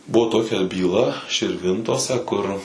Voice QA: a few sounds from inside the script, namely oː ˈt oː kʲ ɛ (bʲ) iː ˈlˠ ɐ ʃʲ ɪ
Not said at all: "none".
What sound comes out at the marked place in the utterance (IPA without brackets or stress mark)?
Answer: bʲ